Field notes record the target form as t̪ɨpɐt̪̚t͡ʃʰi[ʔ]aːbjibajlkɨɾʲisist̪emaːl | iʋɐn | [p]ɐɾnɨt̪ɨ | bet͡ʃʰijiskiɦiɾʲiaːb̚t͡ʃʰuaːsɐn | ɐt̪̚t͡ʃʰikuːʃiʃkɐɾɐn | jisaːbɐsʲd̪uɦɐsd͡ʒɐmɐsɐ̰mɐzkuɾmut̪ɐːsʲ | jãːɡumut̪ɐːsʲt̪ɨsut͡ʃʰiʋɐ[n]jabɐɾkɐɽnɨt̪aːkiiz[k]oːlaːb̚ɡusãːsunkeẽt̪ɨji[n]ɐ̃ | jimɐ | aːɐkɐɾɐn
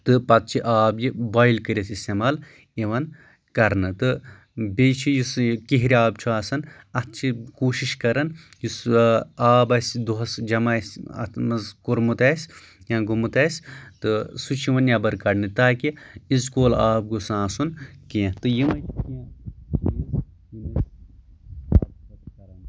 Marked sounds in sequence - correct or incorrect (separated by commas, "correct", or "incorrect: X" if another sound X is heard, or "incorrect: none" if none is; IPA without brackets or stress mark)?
correct, incorrect: k, correct, correct, incorrect: m